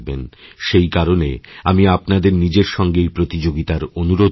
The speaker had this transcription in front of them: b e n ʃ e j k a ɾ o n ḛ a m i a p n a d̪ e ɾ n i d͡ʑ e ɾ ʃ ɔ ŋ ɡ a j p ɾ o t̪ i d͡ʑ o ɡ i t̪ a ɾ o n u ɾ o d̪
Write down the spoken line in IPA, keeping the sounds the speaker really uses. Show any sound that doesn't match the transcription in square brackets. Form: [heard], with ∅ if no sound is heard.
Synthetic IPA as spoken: b e n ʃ e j k a ɾ o n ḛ a m i a p n a d̪ e ɾ n i d͡ʑ e ɾ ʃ ɔ ŋ ɡ [e] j p ɾ o t̪ i d͡ʑ o ɡ i t̪ a ɾ o n u ɾ o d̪